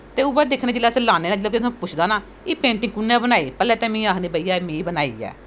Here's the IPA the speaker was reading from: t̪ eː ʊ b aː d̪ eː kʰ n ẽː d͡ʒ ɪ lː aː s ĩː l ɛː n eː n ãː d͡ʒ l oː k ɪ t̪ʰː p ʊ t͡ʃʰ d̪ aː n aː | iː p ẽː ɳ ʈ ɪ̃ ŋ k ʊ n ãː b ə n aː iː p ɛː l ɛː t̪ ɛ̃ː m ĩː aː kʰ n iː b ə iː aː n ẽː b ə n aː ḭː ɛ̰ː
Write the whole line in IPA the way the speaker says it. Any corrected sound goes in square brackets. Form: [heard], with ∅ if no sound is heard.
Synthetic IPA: t̪ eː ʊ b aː d̪ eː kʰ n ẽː d͡ʒ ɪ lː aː s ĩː l [aː] n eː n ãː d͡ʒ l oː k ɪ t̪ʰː p ʊ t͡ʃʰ d̪ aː n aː | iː p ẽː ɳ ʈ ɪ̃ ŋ k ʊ n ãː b ə n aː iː p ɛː l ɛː t̪ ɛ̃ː m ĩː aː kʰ n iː b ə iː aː [m] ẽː b ə n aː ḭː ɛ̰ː